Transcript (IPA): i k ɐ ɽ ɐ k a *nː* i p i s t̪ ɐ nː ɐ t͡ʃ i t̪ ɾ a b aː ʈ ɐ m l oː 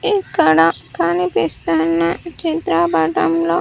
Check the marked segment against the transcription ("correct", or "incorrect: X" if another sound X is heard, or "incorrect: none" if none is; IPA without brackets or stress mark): incorrect: n